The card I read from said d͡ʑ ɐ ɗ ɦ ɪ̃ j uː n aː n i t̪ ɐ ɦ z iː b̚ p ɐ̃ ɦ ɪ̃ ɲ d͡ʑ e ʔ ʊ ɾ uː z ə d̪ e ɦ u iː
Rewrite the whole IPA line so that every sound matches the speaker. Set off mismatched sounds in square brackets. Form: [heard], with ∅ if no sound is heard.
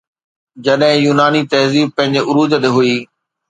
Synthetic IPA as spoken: d͡ʑ ɐ ɗ ɦ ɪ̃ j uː n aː n i t̪ ɐ ɦ z iː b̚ p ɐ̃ ɦ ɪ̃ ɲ d͡ʑ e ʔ ʊ ɾ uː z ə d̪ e ɦ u iː